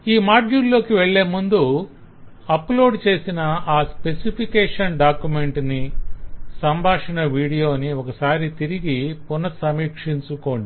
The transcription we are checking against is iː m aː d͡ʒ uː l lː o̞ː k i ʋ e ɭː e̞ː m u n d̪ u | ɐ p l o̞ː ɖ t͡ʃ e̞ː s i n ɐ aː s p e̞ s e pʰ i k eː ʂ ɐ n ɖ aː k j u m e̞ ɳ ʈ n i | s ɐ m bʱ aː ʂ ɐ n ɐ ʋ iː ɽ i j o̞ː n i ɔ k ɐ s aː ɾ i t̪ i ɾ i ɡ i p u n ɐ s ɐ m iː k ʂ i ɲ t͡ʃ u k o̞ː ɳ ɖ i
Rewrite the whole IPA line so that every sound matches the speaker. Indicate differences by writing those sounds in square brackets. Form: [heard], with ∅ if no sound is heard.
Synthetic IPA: iː m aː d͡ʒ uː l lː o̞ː k i ʋ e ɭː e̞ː m u n d̪ u | ɐ p l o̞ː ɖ t͡ʃ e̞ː s i n ɐ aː s p e̞ s [i] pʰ i k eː ʂ ɐ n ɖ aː k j u m e̞ ɳ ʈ n i | s ɐ m bʱ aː ʂ ɐ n ɐ ʋ iː ɽ i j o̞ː n i ɔ k ɐ s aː ɾ i t̪ i ɾ i ɡ i p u n ɐ s ɐ m iː k ʂ i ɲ t͡ʃ u k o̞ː ɳ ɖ i